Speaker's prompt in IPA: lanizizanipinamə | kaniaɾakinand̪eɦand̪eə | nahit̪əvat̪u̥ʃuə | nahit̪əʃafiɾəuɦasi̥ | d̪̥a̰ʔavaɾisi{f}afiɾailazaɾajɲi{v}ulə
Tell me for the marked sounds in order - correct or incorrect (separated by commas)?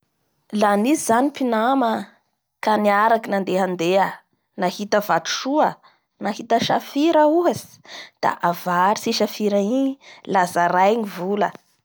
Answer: incorrect, correct